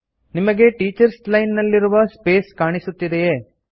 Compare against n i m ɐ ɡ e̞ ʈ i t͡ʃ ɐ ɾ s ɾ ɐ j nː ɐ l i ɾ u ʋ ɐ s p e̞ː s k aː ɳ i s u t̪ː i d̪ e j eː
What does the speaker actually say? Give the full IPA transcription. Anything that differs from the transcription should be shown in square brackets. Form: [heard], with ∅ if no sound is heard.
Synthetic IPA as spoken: n i m ɐ ɡ e̞ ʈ [iː] t͡ʃ ɐ ɾ s [l] ɐ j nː ɐ [lː] i ɾ u ʋ ɐ s p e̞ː s k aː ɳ i s u t̪ː i d̪ e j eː